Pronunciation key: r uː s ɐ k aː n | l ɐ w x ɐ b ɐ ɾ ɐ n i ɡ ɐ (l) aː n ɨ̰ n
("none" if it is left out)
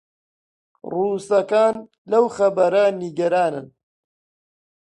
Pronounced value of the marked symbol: ɾ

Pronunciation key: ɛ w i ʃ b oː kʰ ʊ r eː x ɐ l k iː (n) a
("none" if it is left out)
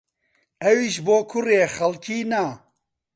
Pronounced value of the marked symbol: n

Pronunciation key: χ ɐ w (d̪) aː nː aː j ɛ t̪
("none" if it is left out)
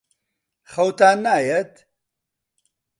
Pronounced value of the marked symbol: t̪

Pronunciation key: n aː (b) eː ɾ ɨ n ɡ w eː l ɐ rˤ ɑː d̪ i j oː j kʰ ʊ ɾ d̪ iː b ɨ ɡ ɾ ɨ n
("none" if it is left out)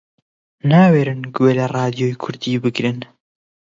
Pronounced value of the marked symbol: w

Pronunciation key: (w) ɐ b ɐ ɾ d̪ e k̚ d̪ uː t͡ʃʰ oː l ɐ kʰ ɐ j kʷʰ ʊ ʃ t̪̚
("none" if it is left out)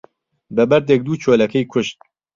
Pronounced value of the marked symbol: b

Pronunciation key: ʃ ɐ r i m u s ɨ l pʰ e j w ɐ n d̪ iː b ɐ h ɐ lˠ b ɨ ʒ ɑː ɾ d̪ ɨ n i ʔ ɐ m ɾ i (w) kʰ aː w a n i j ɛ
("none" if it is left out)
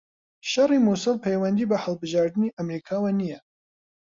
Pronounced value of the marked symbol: none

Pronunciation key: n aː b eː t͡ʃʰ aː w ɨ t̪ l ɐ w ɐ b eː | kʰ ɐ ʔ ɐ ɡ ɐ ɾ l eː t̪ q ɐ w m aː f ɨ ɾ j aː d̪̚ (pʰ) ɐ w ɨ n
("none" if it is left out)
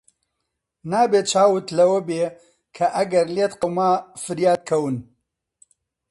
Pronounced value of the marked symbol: kʰ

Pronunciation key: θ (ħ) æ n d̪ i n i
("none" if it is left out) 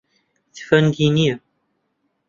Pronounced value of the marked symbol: f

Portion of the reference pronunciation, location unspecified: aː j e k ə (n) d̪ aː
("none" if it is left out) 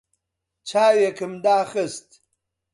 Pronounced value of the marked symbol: m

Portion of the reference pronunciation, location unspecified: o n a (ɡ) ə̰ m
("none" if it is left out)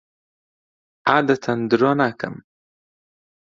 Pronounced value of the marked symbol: k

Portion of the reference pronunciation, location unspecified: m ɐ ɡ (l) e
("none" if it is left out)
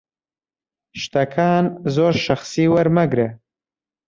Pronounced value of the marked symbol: ɾ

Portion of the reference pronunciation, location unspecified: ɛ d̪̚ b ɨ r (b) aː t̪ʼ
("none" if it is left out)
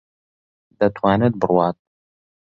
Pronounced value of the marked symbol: w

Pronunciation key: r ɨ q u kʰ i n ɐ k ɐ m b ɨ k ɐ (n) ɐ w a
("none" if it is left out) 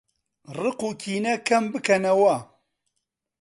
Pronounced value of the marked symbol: n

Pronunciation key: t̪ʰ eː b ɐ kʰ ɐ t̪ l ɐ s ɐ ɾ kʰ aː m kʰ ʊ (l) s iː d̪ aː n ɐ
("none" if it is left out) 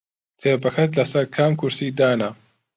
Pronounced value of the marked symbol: ɾ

